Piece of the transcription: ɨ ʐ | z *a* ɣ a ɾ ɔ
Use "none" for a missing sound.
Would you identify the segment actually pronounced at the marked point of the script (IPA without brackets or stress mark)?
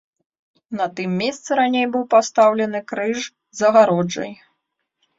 ɐ